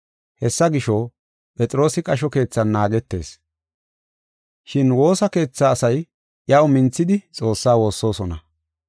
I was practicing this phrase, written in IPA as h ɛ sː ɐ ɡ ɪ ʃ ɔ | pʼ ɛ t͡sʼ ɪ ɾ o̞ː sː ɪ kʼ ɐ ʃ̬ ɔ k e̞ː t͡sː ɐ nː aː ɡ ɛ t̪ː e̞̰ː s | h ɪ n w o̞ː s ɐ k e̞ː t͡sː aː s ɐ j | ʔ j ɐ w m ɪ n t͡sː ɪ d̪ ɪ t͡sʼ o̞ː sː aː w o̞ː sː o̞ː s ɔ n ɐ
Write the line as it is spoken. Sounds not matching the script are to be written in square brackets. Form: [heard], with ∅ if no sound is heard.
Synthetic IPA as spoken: h ɛ sː ɐ ɡ ɪ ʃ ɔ | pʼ ɛ t͡sʼ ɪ ɾ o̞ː [s] ɪ kʼ ɐ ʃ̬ ɔ k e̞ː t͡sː ɐ nː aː ɡ ɛ t̪ː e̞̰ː s | [ʃ] ɪ n w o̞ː s ɐ k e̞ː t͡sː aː s ɐ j | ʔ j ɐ w m ɪ n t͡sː ɪ d̪ ɪ t͡sʼ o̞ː sː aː w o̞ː sː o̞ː s ɔ n ɐ